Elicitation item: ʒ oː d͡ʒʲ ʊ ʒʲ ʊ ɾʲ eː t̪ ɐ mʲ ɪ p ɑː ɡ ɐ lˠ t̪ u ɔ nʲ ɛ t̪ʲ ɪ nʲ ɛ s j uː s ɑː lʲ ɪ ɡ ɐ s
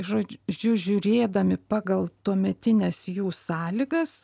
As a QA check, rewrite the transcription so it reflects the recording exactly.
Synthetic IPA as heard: ʒ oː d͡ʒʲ ʊ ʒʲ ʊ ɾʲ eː d̪ ɐ mʲ ɪ p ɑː ɡ ɐ lˠ t̪ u ɔ mʲ ɛ t̪ʲ ɪ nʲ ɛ s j uː s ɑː lʲ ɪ ɡ ɐ s